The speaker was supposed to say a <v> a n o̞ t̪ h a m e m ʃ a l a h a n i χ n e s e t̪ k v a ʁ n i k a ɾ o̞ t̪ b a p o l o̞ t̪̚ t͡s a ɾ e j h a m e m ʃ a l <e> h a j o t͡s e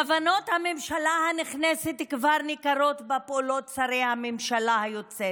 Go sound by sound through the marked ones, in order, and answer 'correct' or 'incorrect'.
correct, incorrect: a

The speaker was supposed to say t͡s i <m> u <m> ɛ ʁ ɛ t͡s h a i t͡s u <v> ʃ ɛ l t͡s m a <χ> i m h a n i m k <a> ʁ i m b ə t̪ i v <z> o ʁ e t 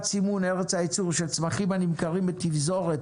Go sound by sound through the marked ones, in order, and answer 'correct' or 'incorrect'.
correct, incorrect: n, incorrect: ʁ, correct, correct, correct

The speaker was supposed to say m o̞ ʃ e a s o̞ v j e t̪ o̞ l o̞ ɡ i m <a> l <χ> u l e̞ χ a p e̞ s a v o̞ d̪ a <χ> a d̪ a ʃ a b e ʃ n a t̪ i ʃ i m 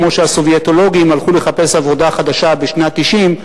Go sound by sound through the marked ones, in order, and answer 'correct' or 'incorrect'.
correct, correct, correct

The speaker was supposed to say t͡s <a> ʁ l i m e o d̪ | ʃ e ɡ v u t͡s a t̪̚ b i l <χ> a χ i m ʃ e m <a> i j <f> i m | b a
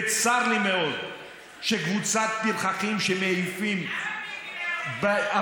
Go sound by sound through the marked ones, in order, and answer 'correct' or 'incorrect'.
correct, correct, incorrect: e, correct

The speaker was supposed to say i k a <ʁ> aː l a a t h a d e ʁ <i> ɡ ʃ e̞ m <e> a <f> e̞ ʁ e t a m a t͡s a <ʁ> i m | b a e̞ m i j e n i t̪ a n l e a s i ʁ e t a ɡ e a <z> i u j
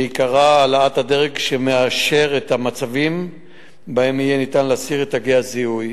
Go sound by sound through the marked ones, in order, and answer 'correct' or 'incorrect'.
correct, incorrect: e, correct, incorrect: ʃ, incorrect: v, correct

